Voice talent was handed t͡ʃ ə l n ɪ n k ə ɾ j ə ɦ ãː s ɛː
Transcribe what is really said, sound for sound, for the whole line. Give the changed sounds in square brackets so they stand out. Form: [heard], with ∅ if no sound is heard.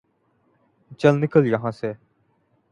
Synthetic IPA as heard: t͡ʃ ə l n ɪ [∅] k ə [l] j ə ɦ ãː s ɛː

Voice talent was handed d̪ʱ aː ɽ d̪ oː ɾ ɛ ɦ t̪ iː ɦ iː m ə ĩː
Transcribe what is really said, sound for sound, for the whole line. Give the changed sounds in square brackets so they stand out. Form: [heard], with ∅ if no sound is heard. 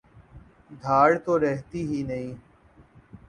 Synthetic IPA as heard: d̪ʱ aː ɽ [t̪] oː ɾ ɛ ɦ t̪ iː ɦ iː [n] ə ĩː

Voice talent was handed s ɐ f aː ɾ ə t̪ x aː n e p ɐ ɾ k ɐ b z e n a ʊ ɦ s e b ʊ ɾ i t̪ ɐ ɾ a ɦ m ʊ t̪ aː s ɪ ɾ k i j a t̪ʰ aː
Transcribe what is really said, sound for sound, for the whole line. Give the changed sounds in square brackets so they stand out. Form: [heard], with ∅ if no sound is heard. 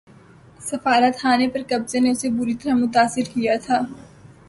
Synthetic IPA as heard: s ɐ f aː ɾ ə t̪ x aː n e p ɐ ɾ k ɐ b z e n [e] ʊ [∅] s e b ʊ ɾ i t̪ ɐ ɾ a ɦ m ʊ t̪ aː s ɪ ɾ k i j a t̪ʰ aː

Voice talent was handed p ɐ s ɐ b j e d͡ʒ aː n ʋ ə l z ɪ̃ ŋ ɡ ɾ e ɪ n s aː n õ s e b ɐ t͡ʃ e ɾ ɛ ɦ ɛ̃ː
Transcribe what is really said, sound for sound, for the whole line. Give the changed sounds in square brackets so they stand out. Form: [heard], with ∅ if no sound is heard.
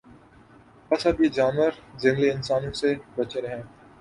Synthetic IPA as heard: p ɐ s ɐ b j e d͡ʒ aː n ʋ ə [ɾ] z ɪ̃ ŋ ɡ [l] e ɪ n s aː n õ s e b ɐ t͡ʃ e ɾ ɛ ɦ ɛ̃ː

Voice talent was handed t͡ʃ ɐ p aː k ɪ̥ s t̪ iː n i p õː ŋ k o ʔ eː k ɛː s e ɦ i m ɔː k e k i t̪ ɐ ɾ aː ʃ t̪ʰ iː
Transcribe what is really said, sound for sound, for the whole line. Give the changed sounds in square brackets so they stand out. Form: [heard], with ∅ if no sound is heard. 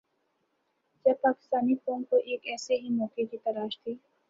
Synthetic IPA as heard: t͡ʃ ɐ p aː k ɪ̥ s t̪ [aː] n i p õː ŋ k o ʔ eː k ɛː s e ɦ i m ɔː k e k i t̪ ɐ ɾ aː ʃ t̪ʰ iː

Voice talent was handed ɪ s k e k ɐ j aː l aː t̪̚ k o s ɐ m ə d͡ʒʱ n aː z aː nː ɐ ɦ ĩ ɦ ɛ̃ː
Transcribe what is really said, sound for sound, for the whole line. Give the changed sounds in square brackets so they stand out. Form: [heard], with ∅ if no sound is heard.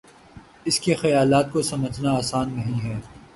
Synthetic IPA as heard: ɪ s k e [x] ɐ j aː l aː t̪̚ k o s ɐ m ə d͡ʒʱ n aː [s] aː nː ɐ ɦ ĩ ɦ [ɛː]

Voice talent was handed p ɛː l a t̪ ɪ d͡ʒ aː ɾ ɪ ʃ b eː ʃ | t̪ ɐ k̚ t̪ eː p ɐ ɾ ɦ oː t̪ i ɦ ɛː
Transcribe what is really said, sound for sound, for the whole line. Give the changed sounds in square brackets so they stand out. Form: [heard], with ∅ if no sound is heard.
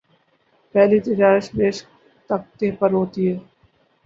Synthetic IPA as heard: p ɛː l [i] t̪ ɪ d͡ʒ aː ɾ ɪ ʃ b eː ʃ | t̪ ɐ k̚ t̪ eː p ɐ ɾ ɦ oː t̪ i ɦ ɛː

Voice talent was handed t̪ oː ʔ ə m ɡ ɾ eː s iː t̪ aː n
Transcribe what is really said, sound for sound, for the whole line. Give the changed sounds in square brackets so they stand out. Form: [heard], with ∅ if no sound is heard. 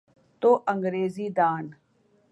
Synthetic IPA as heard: t̪ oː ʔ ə [ŋ] ɡ ɾ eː [z] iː [d̪] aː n

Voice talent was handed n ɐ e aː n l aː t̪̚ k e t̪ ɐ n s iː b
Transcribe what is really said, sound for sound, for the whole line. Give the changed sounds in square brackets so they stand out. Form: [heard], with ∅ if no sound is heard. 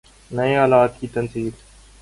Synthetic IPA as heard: n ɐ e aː [∅] l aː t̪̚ k [i] t̪ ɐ n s iː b

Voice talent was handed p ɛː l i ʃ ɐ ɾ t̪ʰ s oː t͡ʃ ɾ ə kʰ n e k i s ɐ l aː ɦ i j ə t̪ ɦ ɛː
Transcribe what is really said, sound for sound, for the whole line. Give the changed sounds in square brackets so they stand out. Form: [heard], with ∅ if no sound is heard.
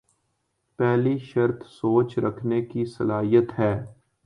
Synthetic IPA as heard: p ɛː l i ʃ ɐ ɾ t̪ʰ s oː t͡ʃ ɾ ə kʰ n e k i s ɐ l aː ɦ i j ə t̪ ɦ ɛː

